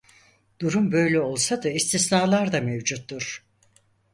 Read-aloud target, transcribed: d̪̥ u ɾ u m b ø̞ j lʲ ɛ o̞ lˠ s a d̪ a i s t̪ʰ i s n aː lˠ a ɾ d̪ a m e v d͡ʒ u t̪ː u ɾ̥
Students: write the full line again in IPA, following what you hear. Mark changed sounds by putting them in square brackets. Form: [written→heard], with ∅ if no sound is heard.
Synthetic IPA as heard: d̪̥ u ɾ u m b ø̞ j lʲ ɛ o̞ lˠ s a d̪ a i s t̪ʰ i s n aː lˠ a ɾ d̪ a m e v d͡ʒ u t̪ː u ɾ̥

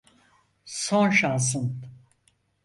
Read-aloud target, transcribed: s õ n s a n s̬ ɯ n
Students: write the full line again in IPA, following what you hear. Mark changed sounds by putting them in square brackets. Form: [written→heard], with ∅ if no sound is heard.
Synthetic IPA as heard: s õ n [s→ʃ] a n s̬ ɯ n

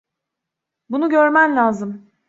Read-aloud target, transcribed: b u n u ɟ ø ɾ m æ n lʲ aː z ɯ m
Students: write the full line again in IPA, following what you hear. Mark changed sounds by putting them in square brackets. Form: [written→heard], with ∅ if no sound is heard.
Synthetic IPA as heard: b u n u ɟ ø ɾ m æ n lʲ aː z ɯ m

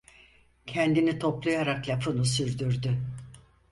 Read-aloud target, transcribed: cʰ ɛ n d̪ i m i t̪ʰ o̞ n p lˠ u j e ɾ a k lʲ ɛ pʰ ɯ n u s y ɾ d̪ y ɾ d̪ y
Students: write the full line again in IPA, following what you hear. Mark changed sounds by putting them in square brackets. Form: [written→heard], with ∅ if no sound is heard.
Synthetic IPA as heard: cʰ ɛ n d̪ i [m→n] i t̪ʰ o̞ [n→∅] p lˠ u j [e→a] ɾ a k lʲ [ɛ→a] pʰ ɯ n u s y ɾ d̪ y ɾ d̪ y

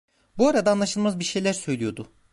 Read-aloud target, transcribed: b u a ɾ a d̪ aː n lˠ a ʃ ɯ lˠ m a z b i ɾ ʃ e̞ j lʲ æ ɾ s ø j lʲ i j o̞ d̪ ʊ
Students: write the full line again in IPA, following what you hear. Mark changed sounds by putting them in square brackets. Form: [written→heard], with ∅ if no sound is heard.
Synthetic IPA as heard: b u a ɾ a d̪ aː n lˠ a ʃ ɯ lˠ m a z b i ɾ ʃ e̞ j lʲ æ ɾ s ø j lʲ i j o̞ d̪ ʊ

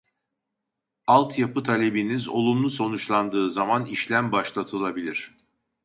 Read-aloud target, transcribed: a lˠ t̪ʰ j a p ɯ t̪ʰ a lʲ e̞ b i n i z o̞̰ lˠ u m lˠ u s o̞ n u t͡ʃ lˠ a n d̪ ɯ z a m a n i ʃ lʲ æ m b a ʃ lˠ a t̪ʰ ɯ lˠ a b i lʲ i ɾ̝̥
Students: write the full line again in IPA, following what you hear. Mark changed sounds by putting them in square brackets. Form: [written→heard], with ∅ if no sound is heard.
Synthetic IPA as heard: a lˠ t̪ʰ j a p ɯ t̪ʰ a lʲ e̞ b i n i z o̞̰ lˠ u m lˠ u s o̞ n u t͡ʃ lˠ a n d̪ [ɯ→ɯː] z a m a n i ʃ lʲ æ m b a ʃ lˠ a t̪ʰ ɯ lˠ a b i lʲ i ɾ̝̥

